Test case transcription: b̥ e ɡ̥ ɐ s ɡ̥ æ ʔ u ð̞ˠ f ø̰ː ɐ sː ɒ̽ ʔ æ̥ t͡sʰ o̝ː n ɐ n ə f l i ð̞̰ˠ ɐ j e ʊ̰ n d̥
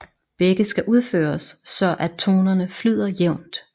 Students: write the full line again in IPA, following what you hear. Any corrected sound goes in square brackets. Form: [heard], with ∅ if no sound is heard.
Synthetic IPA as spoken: b̥ e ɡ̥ [ə] s ɡ̥ æ ʔ u ð̞ˠ f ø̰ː ɐ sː ɒ̽ ʔ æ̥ t͡sʰ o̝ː n ɐ n ə f l [y] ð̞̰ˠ ɐ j e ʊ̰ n d̥